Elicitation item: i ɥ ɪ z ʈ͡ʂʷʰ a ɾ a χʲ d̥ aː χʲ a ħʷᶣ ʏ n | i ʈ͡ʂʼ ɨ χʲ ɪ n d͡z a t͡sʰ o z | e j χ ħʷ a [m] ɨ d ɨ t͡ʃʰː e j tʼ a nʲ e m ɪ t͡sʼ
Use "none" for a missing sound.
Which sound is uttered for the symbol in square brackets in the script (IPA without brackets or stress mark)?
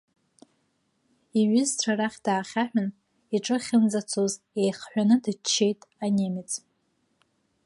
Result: n